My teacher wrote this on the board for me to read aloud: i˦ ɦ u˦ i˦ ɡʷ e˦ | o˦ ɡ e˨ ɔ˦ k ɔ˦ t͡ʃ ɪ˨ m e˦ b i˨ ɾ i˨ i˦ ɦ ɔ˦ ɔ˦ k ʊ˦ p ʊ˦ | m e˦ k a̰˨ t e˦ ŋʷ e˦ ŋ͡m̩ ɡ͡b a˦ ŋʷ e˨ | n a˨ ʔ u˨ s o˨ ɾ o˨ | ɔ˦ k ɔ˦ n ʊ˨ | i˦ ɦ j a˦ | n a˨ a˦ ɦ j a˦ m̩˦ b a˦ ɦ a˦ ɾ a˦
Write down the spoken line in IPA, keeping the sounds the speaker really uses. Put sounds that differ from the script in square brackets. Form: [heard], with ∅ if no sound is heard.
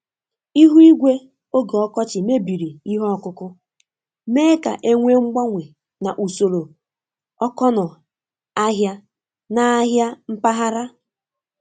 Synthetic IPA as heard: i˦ ɦ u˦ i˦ ɡʷ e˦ | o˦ ɡ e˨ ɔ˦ k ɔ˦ t͡ʃ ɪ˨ m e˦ b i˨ ɾ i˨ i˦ ɦ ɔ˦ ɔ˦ k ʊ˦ [k] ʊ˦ | m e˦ k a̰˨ [ʔ] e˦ ŋʷ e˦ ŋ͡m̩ ɡ͡b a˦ ŋʷ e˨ | n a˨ ʔ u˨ s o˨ ɾ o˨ | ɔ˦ k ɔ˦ n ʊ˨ | [a˦] ɦ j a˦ | n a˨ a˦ ɦ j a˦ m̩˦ [p] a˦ ɦ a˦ ɾ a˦